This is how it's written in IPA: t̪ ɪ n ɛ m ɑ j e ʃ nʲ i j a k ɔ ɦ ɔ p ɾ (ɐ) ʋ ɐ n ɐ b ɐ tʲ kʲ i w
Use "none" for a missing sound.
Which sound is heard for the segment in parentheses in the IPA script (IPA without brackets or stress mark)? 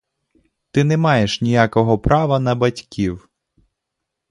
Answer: ɑ